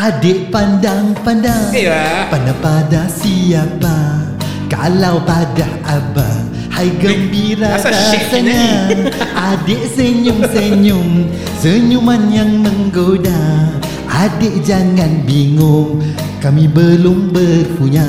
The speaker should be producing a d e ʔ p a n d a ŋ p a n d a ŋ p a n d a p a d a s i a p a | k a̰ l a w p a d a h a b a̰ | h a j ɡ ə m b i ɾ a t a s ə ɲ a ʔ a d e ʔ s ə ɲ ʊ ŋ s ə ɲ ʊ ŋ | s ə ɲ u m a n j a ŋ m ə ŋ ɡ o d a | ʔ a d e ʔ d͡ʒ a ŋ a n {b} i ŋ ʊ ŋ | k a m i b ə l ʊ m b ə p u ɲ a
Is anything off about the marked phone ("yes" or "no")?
no